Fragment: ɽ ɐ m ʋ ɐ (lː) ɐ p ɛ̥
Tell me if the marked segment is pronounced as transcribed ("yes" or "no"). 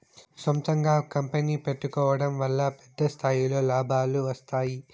yes